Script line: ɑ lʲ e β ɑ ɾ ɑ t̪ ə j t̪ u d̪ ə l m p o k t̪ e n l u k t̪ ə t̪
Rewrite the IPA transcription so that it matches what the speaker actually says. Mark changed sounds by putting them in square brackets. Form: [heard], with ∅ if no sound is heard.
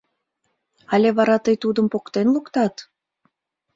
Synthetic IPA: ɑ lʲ e β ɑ ɾ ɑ t̪ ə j t̪ u d̪ ə [∅] m p o k t̪ e n l u k t̪ [ɑ] t̪